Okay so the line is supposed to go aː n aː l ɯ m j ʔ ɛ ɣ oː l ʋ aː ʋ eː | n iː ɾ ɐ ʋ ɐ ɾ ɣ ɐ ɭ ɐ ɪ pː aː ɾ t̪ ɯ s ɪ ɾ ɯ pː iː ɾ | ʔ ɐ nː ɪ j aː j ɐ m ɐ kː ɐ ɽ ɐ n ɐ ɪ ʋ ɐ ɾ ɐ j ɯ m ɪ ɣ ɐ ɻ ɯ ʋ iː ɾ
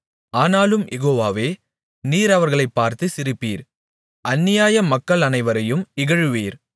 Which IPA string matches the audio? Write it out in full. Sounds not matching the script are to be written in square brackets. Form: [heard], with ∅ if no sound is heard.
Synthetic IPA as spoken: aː n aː l ɯ m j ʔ ɛ ɣ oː [∅] ʋ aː ʋ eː | n iː ɾ ɐ ʋ ɐ ɾ ɣ ɐ ɭ ɐ ɪ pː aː ɾ t̪ ɯ s ɪ ɾ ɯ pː iː ɾ | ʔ ɐ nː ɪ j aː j ɐ m ɐ kː ɐ [ɭ] ɐ n ɐ ɪ ʋ ɐ ɾ ɐ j ɯ m ɪ ɣ ɐ ɻ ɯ ʋ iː ɾ